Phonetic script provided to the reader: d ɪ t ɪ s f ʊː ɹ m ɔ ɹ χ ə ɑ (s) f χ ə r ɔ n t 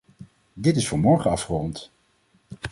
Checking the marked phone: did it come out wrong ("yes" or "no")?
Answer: yes